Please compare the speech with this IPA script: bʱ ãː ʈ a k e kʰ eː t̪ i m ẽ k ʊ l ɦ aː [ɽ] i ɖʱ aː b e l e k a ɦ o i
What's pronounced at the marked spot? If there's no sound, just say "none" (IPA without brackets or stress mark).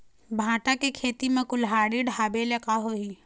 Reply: ɽ